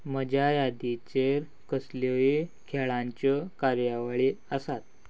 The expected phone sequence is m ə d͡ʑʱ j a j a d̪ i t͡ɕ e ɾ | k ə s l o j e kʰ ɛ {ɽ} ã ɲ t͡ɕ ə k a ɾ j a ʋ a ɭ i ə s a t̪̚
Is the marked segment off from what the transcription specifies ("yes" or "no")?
yes